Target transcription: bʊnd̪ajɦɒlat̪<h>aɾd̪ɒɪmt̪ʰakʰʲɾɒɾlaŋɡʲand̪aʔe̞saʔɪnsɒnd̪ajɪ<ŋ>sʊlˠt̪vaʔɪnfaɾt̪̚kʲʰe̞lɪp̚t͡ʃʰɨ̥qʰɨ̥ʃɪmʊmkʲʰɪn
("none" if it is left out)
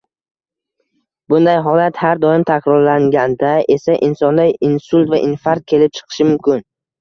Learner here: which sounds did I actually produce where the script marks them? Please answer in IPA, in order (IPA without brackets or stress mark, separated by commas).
h, n